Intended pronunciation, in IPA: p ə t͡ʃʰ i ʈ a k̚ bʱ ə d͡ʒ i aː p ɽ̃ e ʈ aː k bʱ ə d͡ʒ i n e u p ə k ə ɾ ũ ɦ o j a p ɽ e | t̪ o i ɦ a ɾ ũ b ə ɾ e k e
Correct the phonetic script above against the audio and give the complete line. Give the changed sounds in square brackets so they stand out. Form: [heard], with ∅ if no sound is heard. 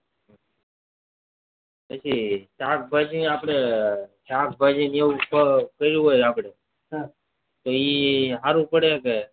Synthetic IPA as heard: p ə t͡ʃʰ i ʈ a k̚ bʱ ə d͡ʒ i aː p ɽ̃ e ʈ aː k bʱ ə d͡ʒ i n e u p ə k ə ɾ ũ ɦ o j a p ɽ e | t̪ o i ɦ a ɾ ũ [p] ə [ɽ] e k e